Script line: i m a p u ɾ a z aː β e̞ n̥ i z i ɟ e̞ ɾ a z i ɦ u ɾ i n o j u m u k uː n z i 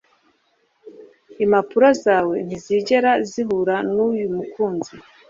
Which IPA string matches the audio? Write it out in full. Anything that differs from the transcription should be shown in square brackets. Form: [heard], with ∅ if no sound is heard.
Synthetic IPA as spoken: i m a p u ɾ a z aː [w] e̞ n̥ i z i ɟ e̞ ɾ a z i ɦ u ɾ [a] n [u] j u m u k uː n z i